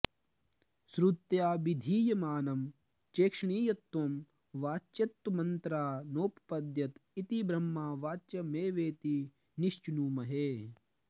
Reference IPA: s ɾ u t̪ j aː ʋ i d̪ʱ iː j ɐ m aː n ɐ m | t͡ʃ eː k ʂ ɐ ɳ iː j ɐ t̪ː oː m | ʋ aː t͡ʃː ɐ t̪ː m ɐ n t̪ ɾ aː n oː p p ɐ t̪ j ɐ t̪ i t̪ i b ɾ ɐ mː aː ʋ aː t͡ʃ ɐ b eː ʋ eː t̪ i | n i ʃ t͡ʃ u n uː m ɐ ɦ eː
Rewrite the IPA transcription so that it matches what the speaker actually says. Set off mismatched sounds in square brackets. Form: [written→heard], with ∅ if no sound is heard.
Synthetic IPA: s ɾ u t̪ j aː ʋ i d̪ʱ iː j ɐ m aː n ɐ m | t͡ʃ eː k ʂ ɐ ɳ iː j ɐ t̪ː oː m | ʋ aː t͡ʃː ɐ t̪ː m ɐ n t̪ ɾ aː n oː p p ɐ [t̪→d̪] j ɐ t̪ i t̪ i b ɾ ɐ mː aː ʋ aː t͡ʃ ɐ [b→m] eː ʋ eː t̪ i | n i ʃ t͡ʃ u n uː m ɐ ɦ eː